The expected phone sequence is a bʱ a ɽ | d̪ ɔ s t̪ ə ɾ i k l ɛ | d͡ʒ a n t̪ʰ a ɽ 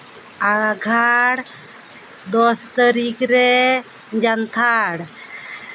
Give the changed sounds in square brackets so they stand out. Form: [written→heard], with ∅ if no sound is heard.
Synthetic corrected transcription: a [bʱ→ɡʱ] a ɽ | d̪ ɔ s t̪ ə ɾ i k [l→ɾ] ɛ | d͡ʒ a n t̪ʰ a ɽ